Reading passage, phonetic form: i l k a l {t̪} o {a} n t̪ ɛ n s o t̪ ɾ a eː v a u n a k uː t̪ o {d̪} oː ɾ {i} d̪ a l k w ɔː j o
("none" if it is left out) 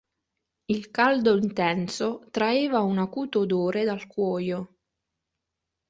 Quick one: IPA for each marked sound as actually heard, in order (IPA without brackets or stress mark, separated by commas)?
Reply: d̪, i, d̪, e